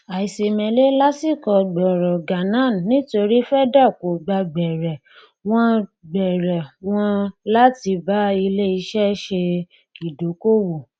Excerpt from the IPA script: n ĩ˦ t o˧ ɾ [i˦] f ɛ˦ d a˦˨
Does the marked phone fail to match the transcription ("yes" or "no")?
no